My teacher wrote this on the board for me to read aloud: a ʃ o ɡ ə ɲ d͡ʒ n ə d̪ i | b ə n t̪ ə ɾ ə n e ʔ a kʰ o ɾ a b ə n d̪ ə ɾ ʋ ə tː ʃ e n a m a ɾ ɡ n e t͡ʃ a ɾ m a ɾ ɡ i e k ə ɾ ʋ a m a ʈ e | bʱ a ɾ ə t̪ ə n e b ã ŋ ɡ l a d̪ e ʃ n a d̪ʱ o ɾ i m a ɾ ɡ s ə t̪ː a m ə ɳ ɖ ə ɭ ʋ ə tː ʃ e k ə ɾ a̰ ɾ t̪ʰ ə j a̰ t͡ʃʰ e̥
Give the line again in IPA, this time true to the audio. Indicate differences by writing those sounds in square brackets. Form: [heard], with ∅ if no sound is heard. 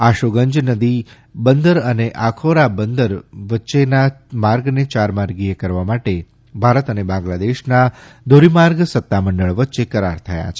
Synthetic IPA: a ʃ o ɡ ə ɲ d͡ʒ n ə d̪ i | b ə n [d̪] ə ɾ ə n e ʔ a kʰ o ɾ a b ə n d̪ ə ɾ ʋ ə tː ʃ e n a m a ɾ ɡ n e t͡ʃ a ɾ m a ɾ ɡ i e k ə ɾ ʋ a m a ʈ e | bʱ a ɾ ə t̪ ə n e b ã ŋ ɡ l a d̪ e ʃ n a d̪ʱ o ɾ i m a ɾ ɡ s ə t̪ː a m ə ɳ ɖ ə ɭ ʋ ə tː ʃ e k ə ɾ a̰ ɾ t̪ʰ ə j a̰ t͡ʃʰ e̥

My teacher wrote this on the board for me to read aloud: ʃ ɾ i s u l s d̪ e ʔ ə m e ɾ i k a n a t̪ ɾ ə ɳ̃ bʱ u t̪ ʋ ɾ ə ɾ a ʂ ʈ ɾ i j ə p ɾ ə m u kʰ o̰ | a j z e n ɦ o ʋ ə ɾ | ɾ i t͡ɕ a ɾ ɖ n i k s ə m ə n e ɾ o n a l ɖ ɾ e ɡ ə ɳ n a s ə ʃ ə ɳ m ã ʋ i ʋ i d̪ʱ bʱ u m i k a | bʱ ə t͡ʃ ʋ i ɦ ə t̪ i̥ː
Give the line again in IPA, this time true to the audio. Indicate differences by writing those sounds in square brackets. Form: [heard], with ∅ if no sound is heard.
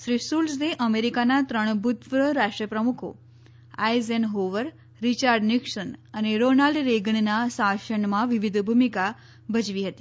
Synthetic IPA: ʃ ɾ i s u l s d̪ e ʔ ə m e ɾ i k a n a t̪ ɾ ə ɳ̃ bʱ u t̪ ʋ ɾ ə ɾ a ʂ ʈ ɾ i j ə p ɾ ə m u kʰ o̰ | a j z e n ɦ o ʋ ə ɾ | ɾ i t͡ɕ a ɾ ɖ n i k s ə [n] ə n e ɾ o n a l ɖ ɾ e ɡ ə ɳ n a s [a] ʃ ə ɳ m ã ʋ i ʋ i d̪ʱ bʱ u m i k a | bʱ ə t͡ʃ ʋ i ɦ ə t̪ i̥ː

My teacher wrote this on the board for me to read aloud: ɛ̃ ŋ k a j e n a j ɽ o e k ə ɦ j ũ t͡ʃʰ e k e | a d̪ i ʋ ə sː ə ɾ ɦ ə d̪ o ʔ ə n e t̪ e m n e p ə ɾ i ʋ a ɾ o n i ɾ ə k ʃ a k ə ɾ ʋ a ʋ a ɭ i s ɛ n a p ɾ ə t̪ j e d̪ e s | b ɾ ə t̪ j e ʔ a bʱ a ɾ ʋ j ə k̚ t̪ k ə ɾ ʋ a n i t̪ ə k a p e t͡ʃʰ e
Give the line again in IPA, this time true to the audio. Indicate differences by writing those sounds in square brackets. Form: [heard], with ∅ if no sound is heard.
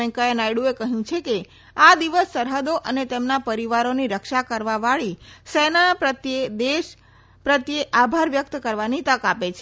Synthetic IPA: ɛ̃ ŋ k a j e n a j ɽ [u] e k ə ɦ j ũ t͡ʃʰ e k e | a d̪ i ʋ ə sː ə ɾ ɦ ə d̪ o ʔ ə n e t̪ e m n [a] p ə ɾ i ʋ a ɾ o n i ɾ ə k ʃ a k ə ɾ ʋ a ʋ a ɭ i s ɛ n a p ɾ ə t̪ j e d̪ e [ʃ] | [p] ɾ ə t̪ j e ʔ a bʱ a ɾ ʋ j ə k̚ t̪ k ə ɾ ʋ a n i t̪ ə k a p e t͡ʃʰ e

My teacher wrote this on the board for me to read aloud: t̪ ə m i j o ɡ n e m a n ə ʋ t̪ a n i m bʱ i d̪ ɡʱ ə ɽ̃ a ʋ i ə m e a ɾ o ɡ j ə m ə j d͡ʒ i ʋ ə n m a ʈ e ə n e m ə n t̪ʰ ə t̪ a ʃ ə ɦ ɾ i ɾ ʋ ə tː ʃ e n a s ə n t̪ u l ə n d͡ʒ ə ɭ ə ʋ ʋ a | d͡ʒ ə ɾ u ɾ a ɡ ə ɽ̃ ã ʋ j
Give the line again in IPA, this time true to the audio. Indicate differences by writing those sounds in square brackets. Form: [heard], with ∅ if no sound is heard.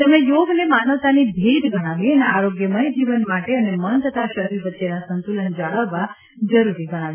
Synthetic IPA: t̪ ə m [e] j o ɡ n e m a n ə ʋ t̪ a n i [∅] bʱ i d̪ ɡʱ ə ɽ̃ a ʋ i ə [n] e a ɾ o ɡ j ə m ə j d͡ʒ i ʋ ə n m a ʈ e ə n e m ə n t̪ʰ ə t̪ a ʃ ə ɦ ɾ i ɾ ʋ ə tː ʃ e n a s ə n t̪ u l ə n d͡ʒ [a] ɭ ə ʋ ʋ a | d͡ʒ ə ɾ u ɾ [i] ɡ ə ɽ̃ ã ʋ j

